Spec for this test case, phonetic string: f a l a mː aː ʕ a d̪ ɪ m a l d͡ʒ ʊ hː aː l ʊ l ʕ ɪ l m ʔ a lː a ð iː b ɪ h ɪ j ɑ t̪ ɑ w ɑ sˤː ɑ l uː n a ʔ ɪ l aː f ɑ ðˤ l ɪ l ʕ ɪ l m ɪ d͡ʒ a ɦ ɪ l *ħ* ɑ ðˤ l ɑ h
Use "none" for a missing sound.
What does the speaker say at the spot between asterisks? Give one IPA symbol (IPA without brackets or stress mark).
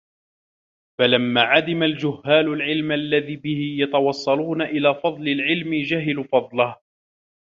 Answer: f